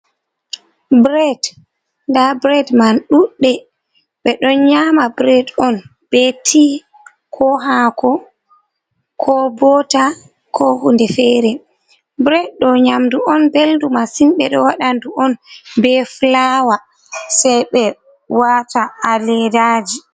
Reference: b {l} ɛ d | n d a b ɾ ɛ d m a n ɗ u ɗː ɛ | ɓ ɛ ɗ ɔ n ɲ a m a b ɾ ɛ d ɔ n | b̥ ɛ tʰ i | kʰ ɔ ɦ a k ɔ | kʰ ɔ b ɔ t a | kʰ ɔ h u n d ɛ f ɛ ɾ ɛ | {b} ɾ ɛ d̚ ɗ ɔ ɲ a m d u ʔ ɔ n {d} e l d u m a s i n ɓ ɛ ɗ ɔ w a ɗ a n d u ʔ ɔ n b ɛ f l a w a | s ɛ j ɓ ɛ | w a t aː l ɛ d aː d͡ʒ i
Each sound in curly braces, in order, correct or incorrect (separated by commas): incorrect, correct, incorrect